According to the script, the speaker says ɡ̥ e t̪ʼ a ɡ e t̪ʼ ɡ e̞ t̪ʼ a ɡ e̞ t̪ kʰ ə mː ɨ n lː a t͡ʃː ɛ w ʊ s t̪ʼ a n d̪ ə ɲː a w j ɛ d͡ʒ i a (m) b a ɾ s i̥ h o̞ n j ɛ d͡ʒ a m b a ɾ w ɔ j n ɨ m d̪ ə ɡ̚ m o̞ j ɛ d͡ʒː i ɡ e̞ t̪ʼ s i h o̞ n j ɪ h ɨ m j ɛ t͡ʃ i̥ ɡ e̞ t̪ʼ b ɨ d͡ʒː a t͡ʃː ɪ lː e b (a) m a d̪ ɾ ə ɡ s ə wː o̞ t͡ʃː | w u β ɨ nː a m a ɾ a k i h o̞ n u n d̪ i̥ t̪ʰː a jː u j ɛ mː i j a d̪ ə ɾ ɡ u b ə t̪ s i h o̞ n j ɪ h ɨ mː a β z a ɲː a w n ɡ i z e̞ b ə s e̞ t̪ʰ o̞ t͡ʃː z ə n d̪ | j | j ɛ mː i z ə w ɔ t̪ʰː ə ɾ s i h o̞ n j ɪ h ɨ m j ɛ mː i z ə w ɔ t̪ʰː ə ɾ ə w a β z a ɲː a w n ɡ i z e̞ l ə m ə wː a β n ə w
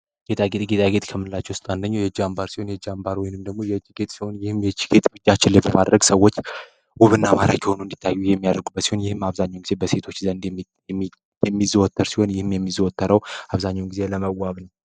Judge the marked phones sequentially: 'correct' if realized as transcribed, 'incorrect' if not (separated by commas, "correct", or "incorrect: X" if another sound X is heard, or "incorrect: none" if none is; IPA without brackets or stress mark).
correct, incorrect: ə